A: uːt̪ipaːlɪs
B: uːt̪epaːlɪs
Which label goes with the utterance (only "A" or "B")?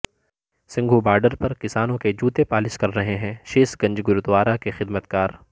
B